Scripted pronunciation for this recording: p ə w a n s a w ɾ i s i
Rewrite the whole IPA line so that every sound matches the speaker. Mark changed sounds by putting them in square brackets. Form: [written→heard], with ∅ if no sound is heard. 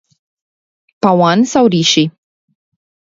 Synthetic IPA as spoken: p [ə→a] w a n s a w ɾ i [s→ʃ] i